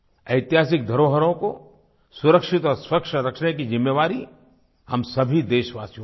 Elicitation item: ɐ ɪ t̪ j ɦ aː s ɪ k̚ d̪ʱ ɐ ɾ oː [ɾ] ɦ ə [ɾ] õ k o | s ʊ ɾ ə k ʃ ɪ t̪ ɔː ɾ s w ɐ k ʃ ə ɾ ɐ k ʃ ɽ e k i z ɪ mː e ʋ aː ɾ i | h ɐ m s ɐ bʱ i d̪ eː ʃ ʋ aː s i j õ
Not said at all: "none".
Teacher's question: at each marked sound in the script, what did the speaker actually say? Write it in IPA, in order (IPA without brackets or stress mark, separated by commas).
none, ɾ